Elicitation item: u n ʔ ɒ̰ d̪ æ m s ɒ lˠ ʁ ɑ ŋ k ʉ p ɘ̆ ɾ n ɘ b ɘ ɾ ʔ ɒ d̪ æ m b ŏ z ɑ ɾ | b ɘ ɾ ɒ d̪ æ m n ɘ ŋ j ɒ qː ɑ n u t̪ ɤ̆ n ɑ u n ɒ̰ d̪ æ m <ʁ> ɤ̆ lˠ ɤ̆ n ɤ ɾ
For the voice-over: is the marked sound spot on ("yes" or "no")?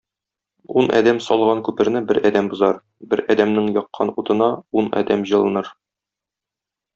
no